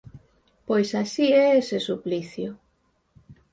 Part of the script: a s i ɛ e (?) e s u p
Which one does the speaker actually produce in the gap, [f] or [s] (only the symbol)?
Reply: s